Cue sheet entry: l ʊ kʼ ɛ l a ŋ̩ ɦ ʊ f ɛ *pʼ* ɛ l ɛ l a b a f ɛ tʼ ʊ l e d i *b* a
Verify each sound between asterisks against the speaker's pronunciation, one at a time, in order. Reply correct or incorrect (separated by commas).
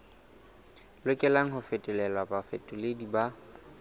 incorrect, correct